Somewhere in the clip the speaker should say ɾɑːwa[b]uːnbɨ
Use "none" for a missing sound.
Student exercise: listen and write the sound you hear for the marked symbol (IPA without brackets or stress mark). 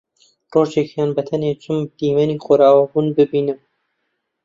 b